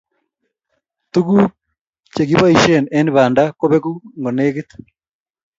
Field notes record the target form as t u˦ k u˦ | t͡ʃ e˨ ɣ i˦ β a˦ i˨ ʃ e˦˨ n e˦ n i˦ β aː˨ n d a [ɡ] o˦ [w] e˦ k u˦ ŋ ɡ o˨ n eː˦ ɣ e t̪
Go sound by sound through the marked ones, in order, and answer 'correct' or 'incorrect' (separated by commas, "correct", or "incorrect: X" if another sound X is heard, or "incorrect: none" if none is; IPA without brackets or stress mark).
incorrect: k, incorrect: β